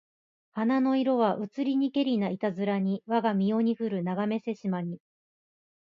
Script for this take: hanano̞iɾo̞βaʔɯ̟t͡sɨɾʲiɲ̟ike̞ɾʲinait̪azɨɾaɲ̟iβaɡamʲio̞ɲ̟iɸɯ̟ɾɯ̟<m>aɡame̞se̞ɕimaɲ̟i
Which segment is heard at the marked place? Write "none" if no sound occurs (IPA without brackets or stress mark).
n